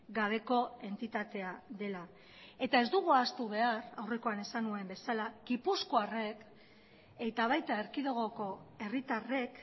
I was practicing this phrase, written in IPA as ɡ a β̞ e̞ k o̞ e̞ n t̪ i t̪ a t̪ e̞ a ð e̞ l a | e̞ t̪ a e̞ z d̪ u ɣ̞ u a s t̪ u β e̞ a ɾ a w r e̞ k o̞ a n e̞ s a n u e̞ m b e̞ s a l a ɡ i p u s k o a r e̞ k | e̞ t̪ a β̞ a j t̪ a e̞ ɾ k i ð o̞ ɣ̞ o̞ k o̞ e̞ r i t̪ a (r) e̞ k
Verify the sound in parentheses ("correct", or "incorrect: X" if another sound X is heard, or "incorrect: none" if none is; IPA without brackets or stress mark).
correct